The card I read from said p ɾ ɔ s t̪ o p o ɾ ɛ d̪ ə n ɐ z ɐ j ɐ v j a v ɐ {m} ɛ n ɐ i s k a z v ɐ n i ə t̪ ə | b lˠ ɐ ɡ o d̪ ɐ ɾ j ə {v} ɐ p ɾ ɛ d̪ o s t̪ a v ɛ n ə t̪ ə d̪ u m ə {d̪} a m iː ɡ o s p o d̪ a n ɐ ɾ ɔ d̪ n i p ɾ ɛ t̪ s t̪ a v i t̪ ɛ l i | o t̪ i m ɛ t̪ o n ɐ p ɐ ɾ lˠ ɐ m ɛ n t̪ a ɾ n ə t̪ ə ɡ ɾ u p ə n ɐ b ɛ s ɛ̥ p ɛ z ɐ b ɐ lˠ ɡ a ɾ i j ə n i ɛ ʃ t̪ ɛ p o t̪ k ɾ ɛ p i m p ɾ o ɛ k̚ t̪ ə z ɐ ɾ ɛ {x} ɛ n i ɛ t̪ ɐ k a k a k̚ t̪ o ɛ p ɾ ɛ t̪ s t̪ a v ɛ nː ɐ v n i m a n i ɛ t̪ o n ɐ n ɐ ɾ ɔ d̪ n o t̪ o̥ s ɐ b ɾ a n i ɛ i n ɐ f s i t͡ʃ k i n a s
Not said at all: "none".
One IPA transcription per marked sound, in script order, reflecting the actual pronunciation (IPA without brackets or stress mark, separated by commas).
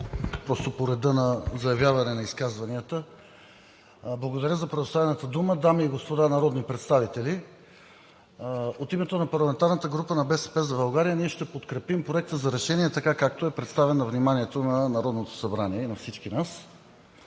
n, z, d̪, ʃ